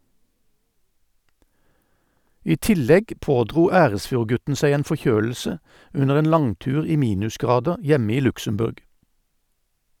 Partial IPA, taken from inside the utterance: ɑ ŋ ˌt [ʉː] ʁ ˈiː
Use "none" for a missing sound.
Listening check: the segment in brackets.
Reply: ʉː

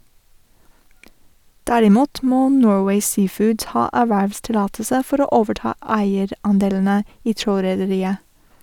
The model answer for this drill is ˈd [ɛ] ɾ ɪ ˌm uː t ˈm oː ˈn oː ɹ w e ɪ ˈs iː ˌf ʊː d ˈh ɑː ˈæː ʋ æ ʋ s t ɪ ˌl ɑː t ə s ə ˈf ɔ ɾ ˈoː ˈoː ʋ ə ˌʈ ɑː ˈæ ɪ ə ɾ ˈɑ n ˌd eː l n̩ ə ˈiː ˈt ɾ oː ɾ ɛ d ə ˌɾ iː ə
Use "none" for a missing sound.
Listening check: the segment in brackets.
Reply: æ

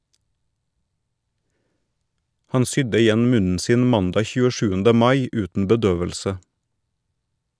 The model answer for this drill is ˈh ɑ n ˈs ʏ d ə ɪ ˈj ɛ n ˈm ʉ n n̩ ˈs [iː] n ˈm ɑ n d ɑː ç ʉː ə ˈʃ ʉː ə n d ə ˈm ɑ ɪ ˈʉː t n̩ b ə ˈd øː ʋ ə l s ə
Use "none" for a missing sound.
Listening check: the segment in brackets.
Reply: iː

